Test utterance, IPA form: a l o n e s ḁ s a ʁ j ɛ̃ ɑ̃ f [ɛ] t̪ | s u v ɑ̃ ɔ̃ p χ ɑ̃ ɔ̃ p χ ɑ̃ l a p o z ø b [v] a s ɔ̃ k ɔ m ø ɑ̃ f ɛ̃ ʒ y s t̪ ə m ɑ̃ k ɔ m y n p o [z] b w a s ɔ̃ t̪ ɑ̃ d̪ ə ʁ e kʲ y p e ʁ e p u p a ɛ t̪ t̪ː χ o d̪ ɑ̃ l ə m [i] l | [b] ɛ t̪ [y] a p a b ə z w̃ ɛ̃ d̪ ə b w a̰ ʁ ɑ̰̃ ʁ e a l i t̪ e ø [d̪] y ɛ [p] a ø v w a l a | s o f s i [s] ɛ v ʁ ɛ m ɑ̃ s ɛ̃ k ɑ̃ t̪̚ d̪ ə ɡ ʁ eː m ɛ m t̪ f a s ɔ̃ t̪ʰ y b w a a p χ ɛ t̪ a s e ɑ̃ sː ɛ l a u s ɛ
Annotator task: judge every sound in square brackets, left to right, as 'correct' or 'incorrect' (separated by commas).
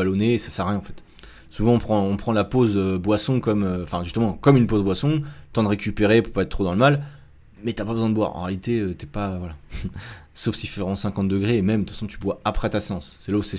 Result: correct, incorrect, correct, incorrect, incorrect, correct, incorrect, correct, incorrect